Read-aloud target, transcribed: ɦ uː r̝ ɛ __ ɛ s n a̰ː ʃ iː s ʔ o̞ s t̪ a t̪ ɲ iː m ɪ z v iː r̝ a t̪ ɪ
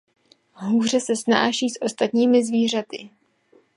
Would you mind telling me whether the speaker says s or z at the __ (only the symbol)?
s